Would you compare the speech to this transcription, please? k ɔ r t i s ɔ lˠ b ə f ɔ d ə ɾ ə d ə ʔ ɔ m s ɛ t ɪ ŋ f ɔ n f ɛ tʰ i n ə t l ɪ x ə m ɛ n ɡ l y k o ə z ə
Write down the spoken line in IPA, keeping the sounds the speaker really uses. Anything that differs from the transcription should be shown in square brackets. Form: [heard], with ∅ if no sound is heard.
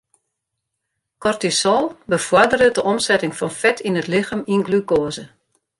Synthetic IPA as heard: k ɔ r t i s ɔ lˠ b ə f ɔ d ə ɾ ə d ə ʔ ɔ m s ɛ t ɪ ŋ f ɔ n f ɛ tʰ i n ə t l ɪ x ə m [i] n ɡ l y k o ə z ə